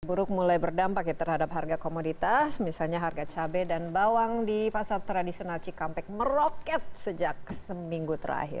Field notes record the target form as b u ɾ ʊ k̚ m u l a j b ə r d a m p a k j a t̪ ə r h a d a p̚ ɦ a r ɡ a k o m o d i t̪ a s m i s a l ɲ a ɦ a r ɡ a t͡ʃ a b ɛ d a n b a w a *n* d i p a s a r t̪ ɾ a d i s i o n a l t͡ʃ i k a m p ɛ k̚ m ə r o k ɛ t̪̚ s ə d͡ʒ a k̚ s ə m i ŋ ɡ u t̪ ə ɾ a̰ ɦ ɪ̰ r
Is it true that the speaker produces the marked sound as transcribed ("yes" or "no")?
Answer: no